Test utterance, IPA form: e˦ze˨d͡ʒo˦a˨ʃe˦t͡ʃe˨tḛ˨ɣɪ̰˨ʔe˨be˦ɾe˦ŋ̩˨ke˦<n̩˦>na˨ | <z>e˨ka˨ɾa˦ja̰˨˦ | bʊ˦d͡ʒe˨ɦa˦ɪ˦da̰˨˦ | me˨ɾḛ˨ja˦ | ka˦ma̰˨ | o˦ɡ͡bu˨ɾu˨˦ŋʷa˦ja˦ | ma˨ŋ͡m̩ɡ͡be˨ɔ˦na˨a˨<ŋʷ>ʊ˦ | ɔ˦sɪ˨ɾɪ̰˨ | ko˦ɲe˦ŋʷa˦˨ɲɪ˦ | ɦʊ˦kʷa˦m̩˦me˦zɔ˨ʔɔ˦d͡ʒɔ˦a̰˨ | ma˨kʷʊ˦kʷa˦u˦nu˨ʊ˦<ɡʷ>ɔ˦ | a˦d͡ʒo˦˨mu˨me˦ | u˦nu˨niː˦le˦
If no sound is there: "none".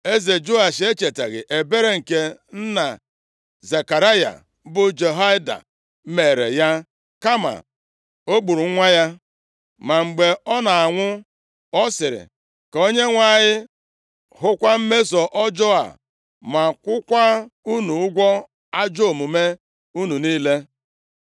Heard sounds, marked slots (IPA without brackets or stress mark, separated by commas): n̩˦, z, ŋʷ, ɡʷ